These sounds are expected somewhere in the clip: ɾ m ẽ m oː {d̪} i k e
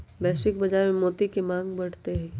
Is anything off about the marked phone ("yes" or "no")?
yes